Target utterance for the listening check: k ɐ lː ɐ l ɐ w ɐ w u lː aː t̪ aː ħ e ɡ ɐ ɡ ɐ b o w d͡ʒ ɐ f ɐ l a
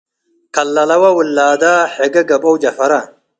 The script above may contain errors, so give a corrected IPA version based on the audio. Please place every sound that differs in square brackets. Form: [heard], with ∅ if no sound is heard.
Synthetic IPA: k ɐ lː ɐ l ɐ w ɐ w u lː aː [d̪] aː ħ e ɡ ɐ ɡ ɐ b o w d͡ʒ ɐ f ɐ [ɾ] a